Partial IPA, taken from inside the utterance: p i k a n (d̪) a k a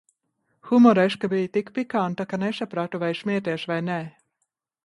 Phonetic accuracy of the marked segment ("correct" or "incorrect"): incorrect